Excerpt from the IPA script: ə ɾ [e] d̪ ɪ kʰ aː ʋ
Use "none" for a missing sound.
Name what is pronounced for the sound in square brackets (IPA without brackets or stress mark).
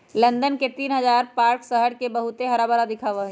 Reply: a